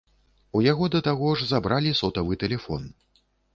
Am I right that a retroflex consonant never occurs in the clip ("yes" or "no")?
no